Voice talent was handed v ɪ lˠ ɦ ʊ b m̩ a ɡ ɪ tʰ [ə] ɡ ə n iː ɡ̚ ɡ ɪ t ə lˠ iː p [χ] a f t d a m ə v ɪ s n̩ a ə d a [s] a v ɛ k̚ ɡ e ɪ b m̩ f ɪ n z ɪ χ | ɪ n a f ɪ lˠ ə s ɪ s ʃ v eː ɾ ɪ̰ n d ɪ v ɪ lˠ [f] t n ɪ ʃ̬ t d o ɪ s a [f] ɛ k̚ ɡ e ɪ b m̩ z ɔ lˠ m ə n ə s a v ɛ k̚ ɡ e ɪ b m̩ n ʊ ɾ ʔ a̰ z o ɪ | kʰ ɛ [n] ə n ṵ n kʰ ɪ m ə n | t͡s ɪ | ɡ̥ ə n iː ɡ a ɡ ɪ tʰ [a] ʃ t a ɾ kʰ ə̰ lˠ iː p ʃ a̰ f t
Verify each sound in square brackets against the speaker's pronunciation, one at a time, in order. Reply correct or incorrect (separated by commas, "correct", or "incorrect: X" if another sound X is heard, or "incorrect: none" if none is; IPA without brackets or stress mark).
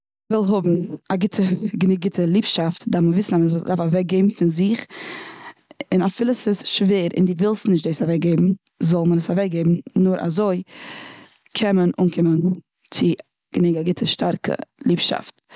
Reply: correct, incorrect: ʃ, incorrect: f, incorrect: s, incorrect: v, incorrect: m, incorrect: ə